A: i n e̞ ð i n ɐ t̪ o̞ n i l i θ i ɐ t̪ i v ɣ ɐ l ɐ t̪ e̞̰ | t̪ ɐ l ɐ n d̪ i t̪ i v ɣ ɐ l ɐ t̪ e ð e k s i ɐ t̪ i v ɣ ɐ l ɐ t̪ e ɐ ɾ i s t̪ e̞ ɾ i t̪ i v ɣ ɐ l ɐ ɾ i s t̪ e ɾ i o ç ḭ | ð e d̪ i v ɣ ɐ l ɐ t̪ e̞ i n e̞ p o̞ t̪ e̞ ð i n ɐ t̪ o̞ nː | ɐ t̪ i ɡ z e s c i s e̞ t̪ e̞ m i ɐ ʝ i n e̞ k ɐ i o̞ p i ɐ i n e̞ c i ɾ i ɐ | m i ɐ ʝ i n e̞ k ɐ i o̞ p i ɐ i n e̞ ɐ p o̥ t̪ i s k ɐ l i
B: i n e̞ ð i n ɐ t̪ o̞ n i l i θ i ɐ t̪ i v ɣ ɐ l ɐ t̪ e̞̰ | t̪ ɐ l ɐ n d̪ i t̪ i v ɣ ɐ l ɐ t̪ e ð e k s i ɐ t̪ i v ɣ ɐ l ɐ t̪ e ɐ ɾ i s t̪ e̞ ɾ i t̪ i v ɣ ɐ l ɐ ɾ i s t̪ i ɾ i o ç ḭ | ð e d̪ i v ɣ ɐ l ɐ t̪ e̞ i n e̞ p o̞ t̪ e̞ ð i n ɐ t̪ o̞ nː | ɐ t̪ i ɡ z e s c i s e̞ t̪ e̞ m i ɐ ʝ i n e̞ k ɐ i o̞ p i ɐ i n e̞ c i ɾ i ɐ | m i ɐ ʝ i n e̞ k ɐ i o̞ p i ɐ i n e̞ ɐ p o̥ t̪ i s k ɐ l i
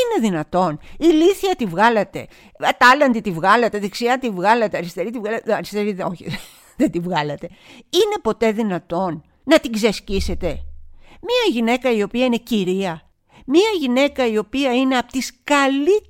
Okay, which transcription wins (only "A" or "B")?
A